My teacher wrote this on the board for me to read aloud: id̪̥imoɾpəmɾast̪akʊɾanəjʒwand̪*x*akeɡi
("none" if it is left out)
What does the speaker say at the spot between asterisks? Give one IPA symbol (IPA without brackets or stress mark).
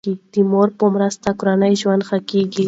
x